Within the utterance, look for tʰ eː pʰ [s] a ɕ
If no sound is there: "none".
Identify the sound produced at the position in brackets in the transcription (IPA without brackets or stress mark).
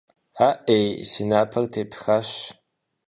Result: x